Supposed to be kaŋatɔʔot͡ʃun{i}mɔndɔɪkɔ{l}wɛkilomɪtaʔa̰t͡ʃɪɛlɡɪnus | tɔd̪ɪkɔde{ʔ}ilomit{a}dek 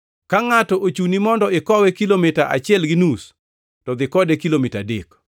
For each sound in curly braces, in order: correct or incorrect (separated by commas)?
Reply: correct, incorrect, incorrect, correct